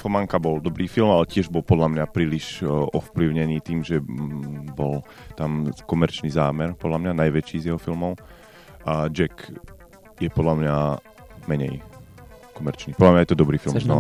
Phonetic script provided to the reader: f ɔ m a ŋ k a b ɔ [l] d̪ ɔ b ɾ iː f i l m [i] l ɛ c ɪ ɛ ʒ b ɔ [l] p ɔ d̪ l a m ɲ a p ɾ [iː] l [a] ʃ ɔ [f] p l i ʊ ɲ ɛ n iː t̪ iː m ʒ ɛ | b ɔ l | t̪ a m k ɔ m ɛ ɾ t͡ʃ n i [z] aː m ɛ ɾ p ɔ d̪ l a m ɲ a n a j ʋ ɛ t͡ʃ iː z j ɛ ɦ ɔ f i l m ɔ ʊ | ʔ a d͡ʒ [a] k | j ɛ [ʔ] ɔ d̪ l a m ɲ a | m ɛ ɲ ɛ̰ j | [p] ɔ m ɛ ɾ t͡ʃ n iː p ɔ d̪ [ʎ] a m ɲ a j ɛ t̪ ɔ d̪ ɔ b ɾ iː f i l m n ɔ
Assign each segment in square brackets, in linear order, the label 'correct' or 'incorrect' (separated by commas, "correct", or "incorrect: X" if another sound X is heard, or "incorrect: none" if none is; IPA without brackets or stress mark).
correct, incorrect: a, correct, correct, incorrect: i, correct, correct, incorrect: ɛ, incorrect: p, incorrect: k, incorrect: l